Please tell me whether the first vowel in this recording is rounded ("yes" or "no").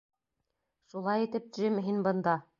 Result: yes